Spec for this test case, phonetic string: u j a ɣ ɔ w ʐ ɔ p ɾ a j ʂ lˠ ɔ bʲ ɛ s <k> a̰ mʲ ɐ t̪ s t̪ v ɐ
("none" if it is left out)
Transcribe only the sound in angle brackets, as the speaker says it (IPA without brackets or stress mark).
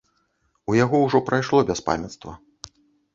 p